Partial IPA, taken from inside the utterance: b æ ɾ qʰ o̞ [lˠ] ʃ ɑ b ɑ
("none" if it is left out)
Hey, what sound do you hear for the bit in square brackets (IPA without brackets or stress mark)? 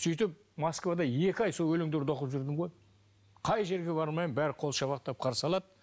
lˠ